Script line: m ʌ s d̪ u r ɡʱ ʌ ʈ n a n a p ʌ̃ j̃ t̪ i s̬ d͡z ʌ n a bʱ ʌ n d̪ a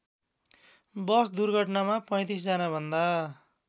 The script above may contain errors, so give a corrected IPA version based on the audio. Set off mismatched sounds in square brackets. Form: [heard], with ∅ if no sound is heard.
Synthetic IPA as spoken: [b] ʌ s d̪ u r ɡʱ ʌ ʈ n a [m] a p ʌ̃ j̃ t̪ i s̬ d͡z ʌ n a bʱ ʌ n d̪ a